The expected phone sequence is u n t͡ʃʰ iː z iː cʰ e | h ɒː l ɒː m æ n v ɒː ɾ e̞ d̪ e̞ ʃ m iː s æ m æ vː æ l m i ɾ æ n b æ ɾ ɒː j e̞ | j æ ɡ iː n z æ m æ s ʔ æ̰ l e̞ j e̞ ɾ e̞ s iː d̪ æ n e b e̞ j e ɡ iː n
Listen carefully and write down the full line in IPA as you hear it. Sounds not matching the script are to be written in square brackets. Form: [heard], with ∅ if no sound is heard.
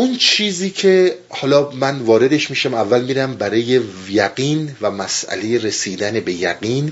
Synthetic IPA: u n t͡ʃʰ iː z iː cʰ e | h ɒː l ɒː m æ n v ɒː ɾ e̞ d̪ e̞ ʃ m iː [ʃ] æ m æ vː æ l m i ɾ æ [m] b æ ɾ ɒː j e̞ | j æ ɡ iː n [v] æ m æ s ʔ æ̰ l e̞ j e̞ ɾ e̞ s iː d̪ æ n e b e̞ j [æ] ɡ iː n